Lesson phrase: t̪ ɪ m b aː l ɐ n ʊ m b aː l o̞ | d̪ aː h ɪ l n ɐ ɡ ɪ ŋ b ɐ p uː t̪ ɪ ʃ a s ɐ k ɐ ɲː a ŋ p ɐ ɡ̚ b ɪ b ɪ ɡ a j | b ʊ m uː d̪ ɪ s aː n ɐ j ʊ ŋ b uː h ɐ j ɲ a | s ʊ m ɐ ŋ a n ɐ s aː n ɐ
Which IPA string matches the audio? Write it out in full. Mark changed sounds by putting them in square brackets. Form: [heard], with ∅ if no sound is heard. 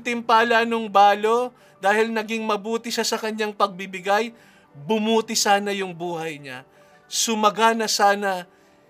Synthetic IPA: t̪ ɪ m [p] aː l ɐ n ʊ [ŋ] b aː l o̞ | d̪ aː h ɪ l n ɐ ɡ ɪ ŋ [m] ɐ [b] uː t̪ ɪ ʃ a s ɐ k ɐ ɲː a ŋ p ɐ ɡ̚ b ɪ b ɪ ɡ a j | b ʊ m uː [t̪] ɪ s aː n ɐ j ʊ ŋ b uː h ɐ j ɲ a | s ʊ m ɐ [ɡ] a n ɐ s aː n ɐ